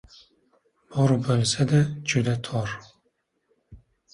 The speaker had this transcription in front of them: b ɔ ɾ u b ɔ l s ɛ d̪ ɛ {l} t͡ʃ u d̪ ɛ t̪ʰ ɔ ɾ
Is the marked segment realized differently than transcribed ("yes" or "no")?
yes